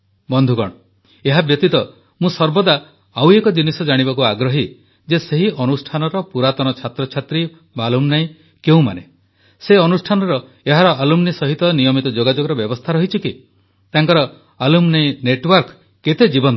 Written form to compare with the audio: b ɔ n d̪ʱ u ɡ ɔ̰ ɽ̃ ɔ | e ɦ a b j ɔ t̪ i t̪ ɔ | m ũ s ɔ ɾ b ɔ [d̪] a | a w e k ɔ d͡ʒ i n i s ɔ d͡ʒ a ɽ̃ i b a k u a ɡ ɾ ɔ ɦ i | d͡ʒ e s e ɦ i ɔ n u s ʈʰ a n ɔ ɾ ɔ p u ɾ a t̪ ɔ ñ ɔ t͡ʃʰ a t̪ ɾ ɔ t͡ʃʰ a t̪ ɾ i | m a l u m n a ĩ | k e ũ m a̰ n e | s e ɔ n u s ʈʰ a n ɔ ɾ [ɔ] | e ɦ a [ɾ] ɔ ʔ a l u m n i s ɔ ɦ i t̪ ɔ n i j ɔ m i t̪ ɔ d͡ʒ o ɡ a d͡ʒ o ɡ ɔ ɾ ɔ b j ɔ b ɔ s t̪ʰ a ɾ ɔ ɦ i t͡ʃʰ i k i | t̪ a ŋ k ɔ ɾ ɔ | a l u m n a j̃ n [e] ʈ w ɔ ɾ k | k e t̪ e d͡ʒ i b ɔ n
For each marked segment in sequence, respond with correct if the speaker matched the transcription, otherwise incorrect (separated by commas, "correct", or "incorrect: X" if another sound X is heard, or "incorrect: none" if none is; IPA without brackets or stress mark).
correct, correct, correct, correct